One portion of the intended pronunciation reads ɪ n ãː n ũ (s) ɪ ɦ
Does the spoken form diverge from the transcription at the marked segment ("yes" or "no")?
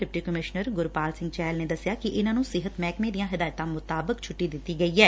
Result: no